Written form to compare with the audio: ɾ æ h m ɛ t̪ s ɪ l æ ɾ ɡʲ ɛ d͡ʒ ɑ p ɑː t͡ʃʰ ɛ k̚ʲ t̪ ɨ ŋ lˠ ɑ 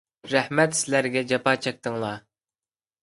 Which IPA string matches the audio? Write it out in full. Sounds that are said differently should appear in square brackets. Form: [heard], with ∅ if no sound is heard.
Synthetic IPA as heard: ɾ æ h m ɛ t̪ s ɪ l æ ɾ ɡʲ ɛ d͡ʒ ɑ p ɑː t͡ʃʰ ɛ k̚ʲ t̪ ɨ ŋ lˠ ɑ